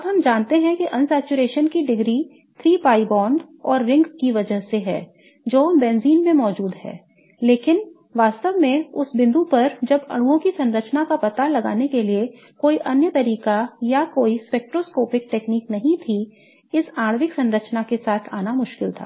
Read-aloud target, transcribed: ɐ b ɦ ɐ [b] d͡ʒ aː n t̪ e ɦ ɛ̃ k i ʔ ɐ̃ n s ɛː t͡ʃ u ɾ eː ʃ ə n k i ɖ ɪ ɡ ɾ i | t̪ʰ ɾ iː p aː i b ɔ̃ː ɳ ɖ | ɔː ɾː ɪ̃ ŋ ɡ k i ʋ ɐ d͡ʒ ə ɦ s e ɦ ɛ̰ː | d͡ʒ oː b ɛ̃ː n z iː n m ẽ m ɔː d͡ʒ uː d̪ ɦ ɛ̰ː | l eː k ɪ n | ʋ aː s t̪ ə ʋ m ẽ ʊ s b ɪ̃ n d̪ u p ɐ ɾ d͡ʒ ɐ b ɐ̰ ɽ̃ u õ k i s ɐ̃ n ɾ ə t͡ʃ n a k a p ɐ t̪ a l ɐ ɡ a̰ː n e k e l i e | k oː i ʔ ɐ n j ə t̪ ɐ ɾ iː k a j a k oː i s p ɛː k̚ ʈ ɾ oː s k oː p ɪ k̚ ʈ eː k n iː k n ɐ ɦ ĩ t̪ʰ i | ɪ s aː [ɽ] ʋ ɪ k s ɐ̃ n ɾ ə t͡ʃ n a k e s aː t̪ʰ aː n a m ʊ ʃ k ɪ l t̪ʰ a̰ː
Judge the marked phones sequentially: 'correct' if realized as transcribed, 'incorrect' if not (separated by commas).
incorrect, correct